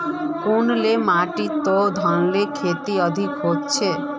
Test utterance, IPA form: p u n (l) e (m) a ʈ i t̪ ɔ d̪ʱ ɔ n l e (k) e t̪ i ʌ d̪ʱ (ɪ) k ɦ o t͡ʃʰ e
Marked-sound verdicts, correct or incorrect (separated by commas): correct, correct, incorrect, incorrect